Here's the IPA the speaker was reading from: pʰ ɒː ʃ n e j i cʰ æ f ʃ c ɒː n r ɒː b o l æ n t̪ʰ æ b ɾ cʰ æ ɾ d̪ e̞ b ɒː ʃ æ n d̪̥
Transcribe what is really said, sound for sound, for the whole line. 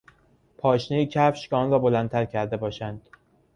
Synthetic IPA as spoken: pʰ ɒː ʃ n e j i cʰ æ f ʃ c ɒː n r ɒː b o l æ n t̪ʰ æ ɾ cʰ æ ɾ d̪ e̞ b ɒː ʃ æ n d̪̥